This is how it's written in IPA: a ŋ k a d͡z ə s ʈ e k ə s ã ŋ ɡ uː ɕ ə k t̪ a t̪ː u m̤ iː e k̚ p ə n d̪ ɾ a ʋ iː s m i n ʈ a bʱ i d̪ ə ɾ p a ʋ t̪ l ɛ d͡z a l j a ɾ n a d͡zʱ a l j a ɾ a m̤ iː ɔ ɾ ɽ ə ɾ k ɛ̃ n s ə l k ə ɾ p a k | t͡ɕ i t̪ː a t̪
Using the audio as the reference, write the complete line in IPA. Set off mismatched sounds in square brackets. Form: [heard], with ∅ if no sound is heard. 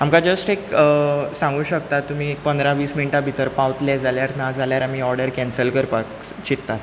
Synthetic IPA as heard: a [m] k a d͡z ə s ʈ e k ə s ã ŋ ɡ uː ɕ ə k t̪ a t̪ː u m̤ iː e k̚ p ə n d̪ ɾ a ʋ iː s m i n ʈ a bʱ i [t̪] ə ɾ p a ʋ t̪ l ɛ d͡z a l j a ɾ n a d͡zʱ a l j a ɾ a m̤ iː ɔ ɾ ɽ ə ɾ k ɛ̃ n s ə l k ə ɾ p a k | t͡ɕ i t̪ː a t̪